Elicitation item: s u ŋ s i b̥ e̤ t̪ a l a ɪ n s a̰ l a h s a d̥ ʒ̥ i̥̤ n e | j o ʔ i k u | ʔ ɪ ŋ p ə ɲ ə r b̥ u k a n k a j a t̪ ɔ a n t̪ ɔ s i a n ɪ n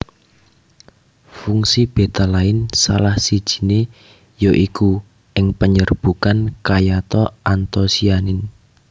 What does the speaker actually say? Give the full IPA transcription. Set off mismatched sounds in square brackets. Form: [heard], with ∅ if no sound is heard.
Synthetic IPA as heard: [f] u ŋ s i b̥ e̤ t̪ a l a ɪ n s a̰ l a h s [i] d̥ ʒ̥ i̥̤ n e | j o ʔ i k u | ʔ ɪ ŋ p ə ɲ ə r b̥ u k a n k a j a t̪ ɔ a n t̪ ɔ s i a n ɪ n